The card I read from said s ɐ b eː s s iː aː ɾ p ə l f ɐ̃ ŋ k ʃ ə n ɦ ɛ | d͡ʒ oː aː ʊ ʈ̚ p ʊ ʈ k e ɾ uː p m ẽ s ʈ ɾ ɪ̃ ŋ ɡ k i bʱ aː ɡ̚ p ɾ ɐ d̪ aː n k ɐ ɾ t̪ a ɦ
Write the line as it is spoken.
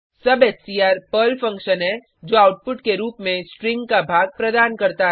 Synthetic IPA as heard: s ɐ b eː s s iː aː ɾ p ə l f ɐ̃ ŋ k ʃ ə n ɦ ɛ | d͡ʒ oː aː ʊ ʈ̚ p ʊ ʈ k e ɾ uː p m ẽ s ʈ ɾ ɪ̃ ŋ ɡ k a bʱ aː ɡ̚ p ɾ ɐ d̪ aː n k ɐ ɾ t̪ a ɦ